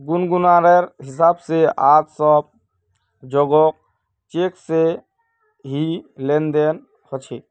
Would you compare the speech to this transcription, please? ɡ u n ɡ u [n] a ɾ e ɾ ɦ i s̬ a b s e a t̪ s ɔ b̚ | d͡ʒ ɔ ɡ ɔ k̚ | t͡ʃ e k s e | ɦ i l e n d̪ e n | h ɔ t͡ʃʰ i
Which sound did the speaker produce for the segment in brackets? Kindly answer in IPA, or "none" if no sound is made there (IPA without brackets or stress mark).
n